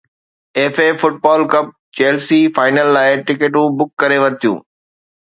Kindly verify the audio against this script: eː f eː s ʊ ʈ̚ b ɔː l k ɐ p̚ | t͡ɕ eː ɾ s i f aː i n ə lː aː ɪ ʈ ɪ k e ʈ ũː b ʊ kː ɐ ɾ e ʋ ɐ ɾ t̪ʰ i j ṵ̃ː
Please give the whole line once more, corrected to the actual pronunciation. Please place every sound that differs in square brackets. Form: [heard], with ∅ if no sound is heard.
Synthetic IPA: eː f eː [f] ʊ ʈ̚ b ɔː l k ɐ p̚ | t͡ɕ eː [l] s i f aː [ɪ] n ə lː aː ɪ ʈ ɪ k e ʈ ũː b ʊ kː ɐ ɾ e ʋ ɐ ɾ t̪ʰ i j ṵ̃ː